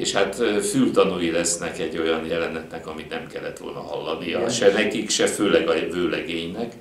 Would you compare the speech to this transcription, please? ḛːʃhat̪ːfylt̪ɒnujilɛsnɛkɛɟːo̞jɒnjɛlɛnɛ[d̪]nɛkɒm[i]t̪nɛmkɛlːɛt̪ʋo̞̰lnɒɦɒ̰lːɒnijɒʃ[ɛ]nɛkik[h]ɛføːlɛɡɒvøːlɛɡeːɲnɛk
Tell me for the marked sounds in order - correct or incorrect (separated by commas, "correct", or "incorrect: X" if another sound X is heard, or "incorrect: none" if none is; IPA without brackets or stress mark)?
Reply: incorrect: t̪, correct, correct, incorrect: ʃ